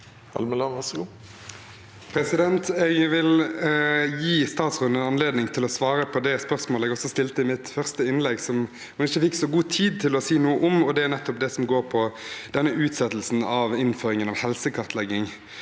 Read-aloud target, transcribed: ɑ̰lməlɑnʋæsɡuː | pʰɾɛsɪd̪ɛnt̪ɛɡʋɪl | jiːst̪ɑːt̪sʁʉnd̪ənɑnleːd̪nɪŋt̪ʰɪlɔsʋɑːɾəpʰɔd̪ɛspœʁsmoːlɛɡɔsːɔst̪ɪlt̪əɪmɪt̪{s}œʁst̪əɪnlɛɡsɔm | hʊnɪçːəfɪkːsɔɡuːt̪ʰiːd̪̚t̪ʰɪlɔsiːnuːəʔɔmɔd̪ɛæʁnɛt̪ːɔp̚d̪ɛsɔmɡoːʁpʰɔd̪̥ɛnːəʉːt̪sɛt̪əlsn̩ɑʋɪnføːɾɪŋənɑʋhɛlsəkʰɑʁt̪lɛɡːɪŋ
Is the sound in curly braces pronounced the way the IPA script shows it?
no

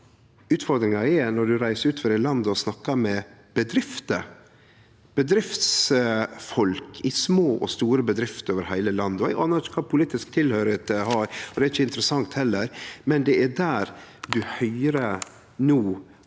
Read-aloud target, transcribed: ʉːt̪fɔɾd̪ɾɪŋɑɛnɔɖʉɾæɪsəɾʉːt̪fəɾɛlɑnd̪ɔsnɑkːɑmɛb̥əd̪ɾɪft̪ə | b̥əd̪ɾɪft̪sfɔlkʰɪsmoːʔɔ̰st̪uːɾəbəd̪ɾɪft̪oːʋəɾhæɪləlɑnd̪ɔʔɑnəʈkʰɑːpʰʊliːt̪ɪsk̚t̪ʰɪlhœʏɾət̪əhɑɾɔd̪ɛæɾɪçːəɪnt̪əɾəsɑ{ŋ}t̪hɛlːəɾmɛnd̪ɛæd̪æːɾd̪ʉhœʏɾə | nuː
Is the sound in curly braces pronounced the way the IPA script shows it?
yes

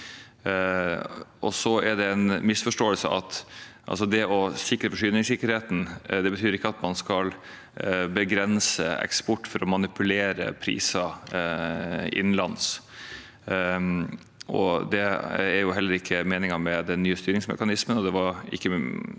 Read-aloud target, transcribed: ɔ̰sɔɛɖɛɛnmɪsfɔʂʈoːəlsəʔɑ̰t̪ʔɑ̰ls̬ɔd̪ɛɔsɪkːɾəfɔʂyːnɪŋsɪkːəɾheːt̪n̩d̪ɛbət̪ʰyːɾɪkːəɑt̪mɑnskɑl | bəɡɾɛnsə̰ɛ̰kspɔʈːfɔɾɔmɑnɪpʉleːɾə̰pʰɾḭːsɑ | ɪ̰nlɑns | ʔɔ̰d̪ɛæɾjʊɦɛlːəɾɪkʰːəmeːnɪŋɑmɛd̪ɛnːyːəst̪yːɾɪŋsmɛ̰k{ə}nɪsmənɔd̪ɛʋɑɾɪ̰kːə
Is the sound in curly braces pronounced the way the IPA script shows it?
no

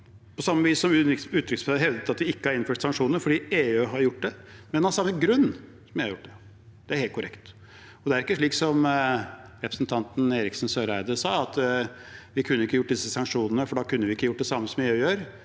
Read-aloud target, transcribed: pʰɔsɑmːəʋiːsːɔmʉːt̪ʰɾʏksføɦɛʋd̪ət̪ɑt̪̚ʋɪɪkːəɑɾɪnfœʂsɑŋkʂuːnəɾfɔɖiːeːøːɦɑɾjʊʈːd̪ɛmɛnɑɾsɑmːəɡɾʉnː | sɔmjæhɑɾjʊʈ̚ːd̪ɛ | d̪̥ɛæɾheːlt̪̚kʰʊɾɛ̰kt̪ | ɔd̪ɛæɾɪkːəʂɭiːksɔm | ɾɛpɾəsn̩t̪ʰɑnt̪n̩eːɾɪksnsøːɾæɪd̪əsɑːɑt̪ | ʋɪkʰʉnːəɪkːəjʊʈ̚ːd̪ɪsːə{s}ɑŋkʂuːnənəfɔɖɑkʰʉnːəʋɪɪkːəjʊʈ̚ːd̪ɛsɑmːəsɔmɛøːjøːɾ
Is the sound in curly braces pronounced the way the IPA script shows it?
yes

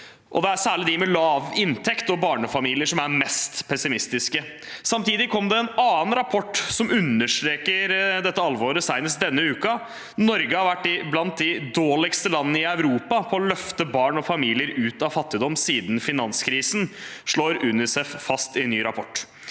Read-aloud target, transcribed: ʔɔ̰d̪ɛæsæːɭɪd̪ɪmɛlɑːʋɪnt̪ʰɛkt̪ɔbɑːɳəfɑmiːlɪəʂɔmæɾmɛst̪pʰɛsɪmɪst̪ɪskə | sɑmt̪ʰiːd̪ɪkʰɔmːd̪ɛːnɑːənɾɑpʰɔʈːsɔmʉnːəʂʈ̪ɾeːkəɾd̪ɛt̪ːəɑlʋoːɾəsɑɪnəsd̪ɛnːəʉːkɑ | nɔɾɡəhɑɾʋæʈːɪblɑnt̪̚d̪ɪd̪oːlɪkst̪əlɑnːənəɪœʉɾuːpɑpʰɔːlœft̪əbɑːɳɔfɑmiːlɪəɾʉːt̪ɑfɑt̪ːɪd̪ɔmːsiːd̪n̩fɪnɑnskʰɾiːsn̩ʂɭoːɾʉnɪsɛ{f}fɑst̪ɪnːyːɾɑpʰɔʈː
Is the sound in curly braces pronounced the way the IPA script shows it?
yes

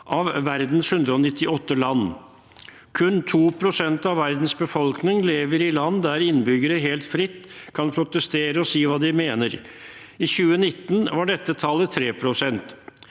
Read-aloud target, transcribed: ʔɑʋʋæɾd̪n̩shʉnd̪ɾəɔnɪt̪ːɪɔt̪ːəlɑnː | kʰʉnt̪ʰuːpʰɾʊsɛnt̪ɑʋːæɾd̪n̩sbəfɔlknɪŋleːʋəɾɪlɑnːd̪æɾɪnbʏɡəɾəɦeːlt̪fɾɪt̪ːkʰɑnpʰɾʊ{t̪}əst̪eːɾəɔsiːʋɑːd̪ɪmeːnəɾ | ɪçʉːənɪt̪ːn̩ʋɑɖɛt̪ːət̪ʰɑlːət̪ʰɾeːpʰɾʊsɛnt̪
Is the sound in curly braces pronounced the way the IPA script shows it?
yes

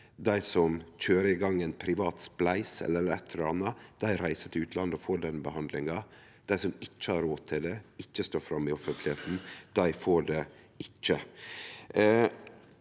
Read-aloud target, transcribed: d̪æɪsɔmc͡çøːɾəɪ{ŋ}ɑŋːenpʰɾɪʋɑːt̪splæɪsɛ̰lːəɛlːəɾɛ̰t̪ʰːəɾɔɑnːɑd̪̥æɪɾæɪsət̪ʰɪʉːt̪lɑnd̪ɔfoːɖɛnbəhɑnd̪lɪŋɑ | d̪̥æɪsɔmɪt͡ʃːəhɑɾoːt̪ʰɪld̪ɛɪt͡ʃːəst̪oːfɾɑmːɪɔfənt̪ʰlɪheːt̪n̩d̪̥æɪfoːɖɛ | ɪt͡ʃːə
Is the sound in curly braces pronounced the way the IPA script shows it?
no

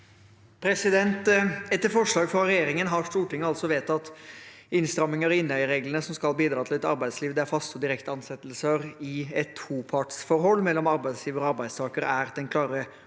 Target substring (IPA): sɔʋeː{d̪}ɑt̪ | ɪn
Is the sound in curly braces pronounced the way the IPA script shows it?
no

